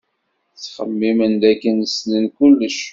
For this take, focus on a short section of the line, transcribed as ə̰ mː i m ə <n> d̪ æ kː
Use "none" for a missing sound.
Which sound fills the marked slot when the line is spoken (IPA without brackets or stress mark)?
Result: n